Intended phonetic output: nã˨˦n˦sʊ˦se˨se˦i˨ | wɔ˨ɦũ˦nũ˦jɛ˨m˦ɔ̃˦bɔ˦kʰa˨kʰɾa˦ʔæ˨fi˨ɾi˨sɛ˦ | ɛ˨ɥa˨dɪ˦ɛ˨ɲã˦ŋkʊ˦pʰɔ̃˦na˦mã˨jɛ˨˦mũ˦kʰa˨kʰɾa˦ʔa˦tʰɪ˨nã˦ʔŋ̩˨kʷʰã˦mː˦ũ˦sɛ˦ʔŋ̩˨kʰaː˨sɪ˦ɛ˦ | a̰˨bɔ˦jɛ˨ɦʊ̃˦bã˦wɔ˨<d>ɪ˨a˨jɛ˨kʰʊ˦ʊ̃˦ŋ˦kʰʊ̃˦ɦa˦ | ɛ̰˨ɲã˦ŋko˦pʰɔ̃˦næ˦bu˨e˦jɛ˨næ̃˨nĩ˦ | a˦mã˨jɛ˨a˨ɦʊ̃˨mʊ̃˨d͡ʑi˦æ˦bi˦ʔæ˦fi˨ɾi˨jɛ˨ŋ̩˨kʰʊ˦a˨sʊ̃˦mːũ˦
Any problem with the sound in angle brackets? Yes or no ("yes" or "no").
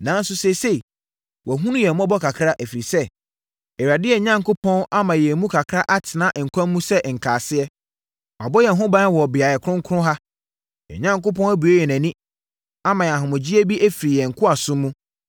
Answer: yes